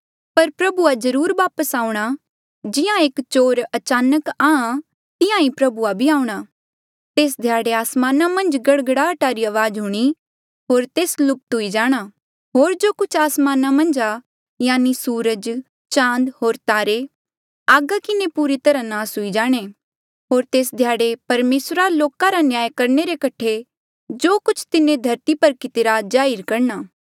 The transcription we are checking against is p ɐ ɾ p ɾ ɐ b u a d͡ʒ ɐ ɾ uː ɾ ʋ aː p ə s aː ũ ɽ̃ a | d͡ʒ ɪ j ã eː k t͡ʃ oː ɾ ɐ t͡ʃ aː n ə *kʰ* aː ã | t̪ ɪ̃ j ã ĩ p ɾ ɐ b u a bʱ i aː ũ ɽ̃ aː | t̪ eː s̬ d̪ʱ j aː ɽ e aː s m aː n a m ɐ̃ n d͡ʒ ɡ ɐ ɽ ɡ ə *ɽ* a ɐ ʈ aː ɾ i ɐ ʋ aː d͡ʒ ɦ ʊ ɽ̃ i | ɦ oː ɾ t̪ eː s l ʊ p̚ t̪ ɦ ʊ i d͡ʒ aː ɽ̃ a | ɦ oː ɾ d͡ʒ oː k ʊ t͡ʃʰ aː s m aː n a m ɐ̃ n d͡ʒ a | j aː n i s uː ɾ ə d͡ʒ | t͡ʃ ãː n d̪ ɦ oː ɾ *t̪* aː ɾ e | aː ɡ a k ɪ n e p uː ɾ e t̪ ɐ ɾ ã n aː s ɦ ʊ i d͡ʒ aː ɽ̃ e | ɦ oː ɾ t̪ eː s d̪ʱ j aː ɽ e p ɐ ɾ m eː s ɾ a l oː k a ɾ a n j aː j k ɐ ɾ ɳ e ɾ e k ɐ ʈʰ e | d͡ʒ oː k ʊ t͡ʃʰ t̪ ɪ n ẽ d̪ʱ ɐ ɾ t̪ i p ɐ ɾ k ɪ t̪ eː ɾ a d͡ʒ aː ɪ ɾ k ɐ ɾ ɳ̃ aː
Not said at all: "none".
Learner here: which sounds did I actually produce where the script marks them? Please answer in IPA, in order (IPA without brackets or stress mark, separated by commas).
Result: k, ɽ, t̪